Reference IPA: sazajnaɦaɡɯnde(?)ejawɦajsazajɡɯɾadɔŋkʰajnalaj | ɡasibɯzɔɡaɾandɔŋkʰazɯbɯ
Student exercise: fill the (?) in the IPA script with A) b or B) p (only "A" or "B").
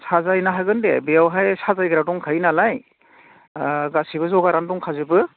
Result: A